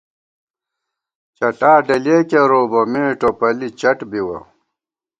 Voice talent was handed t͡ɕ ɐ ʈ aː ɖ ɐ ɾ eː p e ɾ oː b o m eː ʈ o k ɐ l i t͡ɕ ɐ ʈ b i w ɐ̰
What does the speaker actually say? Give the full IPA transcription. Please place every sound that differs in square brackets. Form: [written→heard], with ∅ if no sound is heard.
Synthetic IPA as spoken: t͡ɕ ɐ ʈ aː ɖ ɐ [ɾ→l] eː [p→k] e ɾ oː b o m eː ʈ o [k→p] ɐ l i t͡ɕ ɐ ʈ b i w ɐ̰